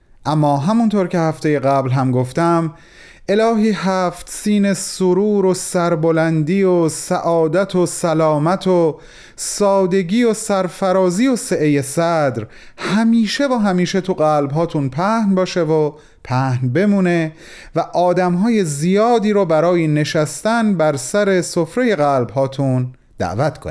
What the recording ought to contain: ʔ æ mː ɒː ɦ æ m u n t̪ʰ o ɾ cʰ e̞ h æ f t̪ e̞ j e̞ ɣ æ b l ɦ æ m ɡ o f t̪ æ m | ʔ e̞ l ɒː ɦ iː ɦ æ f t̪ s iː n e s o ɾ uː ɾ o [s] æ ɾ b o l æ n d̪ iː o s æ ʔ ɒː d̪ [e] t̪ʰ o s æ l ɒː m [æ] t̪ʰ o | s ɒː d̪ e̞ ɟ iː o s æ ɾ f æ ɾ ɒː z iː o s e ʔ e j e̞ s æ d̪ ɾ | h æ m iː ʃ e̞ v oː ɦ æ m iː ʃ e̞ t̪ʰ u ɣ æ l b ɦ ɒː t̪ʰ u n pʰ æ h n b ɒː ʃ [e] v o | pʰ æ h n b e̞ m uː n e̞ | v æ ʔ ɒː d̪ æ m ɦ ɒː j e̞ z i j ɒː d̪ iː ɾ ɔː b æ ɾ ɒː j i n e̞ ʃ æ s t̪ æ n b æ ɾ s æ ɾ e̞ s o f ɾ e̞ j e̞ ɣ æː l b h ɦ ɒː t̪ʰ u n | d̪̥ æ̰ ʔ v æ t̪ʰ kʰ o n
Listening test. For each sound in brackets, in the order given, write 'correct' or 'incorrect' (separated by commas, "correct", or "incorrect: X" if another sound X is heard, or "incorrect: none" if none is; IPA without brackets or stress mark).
correct, incorrect: æ, correct, correct